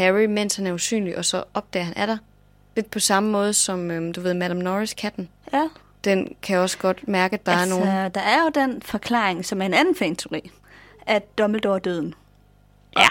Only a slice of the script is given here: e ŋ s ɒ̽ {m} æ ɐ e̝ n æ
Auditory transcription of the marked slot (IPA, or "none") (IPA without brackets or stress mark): m